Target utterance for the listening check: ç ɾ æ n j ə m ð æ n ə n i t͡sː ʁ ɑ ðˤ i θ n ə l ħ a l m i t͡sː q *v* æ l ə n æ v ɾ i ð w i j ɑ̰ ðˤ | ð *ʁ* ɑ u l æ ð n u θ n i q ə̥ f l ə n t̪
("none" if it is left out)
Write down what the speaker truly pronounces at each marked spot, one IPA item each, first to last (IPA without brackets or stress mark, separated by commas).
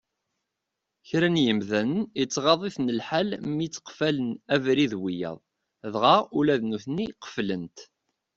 f, ʁ